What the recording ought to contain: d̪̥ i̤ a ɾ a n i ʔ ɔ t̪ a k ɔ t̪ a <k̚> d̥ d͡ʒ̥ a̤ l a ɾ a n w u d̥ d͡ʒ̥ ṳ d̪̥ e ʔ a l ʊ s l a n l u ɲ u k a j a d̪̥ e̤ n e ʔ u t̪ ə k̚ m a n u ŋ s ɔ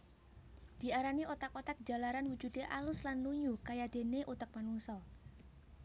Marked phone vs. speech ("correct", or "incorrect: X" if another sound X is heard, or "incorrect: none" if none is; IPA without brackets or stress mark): correct